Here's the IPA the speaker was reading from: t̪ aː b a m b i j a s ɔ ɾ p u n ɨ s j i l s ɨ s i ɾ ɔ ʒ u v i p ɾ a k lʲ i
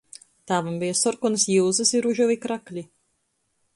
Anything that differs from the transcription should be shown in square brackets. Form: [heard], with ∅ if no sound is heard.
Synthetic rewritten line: t̪ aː [v] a m b i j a s ɔ ɾ [k] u n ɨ s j i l [z] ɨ s i ɾ [u] ʒ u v i [k] ɾ a k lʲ i